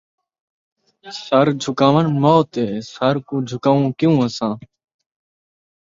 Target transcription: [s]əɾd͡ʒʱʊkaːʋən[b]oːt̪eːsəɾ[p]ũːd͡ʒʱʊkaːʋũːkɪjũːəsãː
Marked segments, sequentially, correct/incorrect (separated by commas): correct, incorrect, incorrect